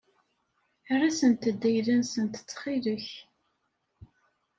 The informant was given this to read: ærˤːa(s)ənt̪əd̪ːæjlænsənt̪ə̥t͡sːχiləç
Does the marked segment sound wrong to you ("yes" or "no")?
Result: no